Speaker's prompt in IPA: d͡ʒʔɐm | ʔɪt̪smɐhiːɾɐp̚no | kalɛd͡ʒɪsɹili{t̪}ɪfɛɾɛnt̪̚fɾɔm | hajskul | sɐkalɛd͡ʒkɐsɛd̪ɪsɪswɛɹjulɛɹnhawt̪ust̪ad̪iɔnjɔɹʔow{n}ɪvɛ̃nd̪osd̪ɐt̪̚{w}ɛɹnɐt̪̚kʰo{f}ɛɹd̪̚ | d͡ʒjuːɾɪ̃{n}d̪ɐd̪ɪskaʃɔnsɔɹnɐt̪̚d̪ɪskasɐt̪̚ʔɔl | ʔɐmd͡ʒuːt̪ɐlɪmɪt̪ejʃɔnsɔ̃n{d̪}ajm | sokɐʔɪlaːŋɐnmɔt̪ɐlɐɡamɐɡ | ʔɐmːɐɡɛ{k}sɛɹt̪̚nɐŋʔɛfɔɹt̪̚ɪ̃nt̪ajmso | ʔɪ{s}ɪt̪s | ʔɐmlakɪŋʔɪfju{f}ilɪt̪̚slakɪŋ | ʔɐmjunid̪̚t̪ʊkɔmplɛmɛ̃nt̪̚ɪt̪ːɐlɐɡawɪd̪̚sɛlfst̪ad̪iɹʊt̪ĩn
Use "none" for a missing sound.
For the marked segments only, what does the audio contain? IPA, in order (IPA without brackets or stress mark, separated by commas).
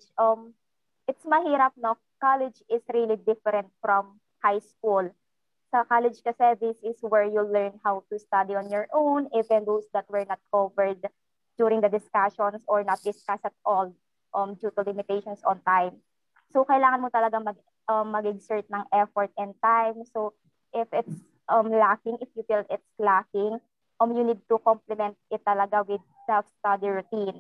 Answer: d̪, n, w, v, ŋ, t̪, ɡ, f, f